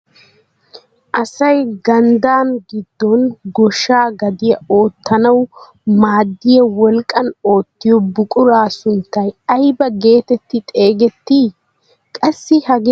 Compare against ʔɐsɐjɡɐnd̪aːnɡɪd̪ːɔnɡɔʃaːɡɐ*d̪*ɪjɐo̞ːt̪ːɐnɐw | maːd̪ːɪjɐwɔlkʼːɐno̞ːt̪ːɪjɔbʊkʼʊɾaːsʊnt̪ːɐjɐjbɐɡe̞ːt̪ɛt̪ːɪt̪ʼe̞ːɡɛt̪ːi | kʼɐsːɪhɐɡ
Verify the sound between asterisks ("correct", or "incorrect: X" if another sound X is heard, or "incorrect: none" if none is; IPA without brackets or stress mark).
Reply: correct